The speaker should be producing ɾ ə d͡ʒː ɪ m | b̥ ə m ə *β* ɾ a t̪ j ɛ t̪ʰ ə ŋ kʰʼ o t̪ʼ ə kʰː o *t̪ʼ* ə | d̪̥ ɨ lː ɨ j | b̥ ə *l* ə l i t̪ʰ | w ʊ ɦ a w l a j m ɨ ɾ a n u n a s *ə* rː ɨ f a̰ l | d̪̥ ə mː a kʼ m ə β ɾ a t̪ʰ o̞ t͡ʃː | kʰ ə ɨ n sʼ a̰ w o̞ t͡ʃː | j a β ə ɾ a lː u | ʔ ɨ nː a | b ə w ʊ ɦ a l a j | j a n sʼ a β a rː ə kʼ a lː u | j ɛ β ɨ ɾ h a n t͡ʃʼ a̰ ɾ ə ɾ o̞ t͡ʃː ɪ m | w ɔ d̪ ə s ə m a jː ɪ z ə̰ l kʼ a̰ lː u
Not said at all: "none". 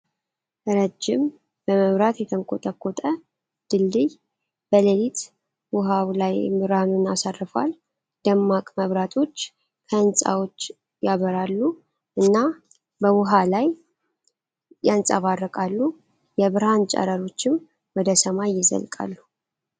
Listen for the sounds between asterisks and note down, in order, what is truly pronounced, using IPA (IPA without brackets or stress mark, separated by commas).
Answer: β, t̪ʼ, l, a